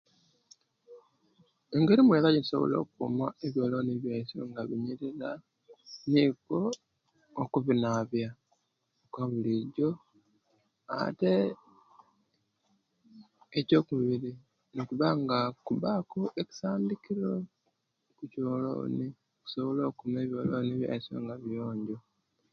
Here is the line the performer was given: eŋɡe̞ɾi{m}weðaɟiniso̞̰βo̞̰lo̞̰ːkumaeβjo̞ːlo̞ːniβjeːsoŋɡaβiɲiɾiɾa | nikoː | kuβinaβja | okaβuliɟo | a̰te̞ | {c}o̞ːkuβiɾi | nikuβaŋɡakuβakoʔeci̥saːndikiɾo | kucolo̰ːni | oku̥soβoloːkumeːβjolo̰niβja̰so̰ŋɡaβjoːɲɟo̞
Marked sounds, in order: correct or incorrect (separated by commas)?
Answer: correct, correct